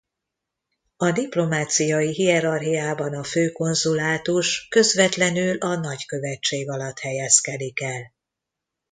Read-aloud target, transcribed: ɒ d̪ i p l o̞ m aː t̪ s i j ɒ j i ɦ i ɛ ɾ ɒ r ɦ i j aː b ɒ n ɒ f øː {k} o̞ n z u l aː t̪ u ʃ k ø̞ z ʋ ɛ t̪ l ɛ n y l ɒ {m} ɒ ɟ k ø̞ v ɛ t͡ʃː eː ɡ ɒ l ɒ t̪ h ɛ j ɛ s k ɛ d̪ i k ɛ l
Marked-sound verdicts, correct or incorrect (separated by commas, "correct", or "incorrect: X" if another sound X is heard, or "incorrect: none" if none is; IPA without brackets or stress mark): correct, incorrect: n